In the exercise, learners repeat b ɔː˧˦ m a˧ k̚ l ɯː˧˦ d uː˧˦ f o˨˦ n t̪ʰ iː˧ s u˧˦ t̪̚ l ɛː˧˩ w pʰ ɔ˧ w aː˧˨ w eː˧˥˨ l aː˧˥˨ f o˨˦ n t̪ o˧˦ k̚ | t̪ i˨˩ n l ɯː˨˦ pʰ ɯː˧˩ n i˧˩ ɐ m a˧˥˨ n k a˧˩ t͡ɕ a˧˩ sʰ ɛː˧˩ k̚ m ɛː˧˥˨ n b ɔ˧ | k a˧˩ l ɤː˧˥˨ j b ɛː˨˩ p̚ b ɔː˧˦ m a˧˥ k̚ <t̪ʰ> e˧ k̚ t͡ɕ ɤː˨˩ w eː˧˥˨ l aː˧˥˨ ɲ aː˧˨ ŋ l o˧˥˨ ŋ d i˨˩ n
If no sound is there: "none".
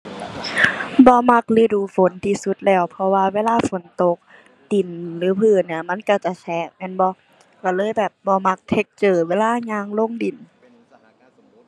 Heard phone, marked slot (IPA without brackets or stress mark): t̪ʰ